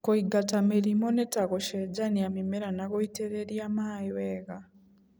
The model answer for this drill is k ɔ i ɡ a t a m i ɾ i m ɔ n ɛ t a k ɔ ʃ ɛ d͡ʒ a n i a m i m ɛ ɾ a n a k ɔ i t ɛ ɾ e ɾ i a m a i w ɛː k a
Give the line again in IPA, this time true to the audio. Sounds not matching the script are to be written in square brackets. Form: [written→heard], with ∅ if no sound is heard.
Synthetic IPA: k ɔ i ɡ a t a m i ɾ i m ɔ n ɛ t a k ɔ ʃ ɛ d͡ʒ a n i a m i m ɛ ɾ a n a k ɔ i t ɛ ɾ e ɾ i a m a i w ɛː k a